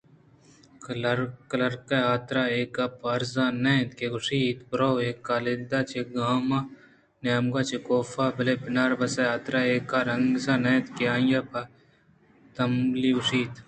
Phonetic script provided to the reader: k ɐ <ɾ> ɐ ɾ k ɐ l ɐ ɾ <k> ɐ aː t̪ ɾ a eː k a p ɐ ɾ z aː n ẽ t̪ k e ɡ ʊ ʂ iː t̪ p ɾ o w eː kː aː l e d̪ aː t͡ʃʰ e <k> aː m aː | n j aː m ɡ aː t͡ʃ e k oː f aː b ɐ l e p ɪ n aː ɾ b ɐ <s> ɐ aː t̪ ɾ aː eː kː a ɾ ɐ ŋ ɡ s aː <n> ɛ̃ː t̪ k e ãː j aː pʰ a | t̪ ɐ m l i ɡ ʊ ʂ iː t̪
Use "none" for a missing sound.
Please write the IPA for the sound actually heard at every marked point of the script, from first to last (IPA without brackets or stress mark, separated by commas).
l, k, ɡ, s, n